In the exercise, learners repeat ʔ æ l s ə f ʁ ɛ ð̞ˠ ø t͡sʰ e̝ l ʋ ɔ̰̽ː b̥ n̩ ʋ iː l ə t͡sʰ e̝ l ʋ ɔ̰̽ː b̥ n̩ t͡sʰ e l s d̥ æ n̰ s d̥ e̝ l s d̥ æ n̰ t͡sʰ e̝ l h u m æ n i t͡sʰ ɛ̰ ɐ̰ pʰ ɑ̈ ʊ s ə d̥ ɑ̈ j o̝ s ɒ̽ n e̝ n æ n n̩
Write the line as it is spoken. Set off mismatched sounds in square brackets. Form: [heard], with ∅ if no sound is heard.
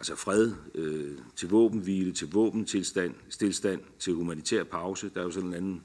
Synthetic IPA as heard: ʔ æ l s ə f ʁ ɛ ð̞ˠ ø t͡sʰ e̝ l ʋ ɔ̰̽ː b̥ n̩ ʋ iː l ə t͡sʰ e̝ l ʋ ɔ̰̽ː b̥ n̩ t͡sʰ e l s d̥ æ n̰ s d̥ e̝ l s d̥ æ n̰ t͡sʰ e̝ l h u m æ n i t͡sʰ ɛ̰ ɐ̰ pʰ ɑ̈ ʊ s ə d̥ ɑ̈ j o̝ s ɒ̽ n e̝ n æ n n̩